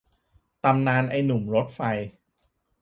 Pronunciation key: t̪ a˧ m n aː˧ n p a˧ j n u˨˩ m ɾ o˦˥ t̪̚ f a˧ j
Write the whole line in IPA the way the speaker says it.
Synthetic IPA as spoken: t̪ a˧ m n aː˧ n ʔ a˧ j n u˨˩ m ɾ o˦˥ t̪̚ f a˧ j